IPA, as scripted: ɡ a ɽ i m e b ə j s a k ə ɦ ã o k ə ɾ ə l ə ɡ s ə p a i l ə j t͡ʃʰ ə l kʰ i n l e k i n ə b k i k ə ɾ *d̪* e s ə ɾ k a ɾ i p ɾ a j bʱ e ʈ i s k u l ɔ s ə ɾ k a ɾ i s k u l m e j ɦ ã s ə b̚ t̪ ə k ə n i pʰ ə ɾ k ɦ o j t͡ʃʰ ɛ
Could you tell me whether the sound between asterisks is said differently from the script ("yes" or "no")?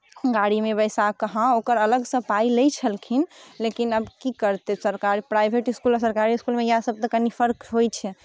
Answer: yes